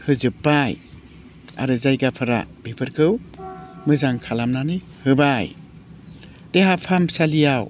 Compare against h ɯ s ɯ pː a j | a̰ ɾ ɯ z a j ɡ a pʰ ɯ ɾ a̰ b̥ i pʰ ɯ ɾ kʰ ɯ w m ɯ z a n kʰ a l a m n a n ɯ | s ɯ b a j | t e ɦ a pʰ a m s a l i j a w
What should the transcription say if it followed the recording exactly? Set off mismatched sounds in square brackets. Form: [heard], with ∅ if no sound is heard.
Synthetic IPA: h ɯ [z] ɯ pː a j | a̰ ɾ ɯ z a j ɡ a pʰ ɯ ɾ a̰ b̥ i pʰ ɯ ɾ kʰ ɯ w m ɯ z a [ŋ] kʰ a l a m n a n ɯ | [h] ɯ b a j | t e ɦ a pʰ a m s a l i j a w